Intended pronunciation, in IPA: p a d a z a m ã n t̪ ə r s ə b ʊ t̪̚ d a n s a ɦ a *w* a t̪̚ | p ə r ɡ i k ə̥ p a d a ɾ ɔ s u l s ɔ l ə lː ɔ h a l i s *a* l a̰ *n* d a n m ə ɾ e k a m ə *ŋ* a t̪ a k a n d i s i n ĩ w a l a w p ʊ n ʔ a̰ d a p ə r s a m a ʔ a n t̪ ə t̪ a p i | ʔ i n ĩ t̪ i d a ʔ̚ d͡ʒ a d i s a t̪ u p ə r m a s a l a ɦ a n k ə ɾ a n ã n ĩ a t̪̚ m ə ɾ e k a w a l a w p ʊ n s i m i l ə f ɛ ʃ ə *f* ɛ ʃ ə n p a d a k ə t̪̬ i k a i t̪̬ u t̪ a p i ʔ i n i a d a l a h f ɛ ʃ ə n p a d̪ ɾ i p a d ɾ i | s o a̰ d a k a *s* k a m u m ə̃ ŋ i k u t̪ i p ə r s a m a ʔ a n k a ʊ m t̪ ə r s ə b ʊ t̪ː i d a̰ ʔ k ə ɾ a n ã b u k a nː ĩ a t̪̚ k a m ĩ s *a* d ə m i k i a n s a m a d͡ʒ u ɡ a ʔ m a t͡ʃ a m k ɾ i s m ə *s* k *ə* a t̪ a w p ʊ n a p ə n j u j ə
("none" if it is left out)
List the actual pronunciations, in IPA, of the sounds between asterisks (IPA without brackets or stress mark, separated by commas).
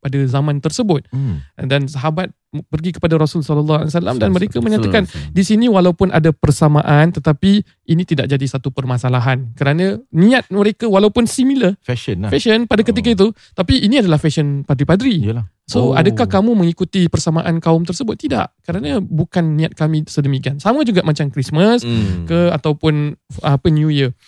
b, a, m, ɲ, f, h, ə, s, ə